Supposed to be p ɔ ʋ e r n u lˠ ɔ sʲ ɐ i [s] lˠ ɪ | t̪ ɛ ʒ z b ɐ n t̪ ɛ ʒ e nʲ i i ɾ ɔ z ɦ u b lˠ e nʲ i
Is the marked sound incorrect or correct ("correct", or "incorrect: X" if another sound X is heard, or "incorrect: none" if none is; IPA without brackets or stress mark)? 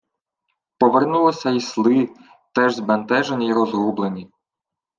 correct